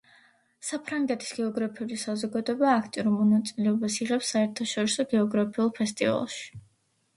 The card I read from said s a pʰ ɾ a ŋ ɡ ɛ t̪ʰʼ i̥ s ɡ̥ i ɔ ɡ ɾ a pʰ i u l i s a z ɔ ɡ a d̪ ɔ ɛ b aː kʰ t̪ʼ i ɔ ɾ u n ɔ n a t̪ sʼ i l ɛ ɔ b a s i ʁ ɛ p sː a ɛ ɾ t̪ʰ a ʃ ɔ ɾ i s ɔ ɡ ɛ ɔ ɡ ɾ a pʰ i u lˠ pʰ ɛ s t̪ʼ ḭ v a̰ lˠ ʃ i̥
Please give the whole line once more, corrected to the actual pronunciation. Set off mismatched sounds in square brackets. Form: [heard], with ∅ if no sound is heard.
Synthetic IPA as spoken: s a pʰ ɾ a ŋ ɡ ɛ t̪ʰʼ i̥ s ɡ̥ [ɛ] ɔ ɡ ɾ a pʰ i u l i s a z ɔ ɡ a d̪ ɔ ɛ b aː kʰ t̪ʼ i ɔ ɾ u [m] ɔ n a t̪ sʼ i l ɛ ɔ b a s i ʁ ɛ p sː a ɛ ɾ t̪ʰ a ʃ ɔ ɾ i s ɔ ɡ ɛ ɔ ɡ ɾ a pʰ i u lˠ pʰ ɛ s t̪ʼ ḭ v a̰ lˠ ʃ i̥